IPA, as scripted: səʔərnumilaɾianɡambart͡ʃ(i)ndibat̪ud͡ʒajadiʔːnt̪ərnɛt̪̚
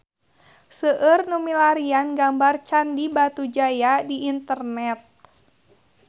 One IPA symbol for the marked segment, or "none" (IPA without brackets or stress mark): a